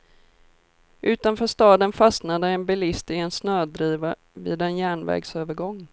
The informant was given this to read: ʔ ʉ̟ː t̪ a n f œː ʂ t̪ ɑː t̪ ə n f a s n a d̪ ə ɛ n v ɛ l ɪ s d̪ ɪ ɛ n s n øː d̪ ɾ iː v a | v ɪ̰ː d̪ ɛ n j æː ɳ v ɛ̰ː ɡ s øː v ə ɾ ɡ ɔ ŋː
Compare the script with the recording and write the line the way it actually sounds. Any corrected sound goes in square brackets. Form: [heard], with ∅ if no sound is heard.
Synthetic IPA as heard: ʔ ʉ̟ː t̪ a n f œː ʂ t̪ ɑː [d̪] ə n f a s n a d̪ ə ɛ n [b] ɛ l ɪ s [t̪] ɪ ɛ n s n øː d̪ ɾ iː v a | v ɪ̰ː d̪ ɛ n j æː ɳ v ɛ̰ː ɡ s øː v ə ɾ ɡ ɔ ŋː